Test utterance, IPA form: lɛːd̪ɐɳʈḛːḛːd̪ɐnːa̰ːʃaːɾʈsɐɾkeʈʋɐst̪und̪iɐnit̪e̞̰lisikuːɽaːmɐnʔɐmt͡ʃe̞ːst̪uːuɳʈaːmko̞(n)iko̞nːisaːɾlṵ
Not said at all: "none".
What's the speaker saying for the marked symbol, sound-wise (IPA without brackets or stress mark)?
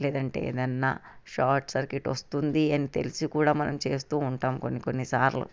nː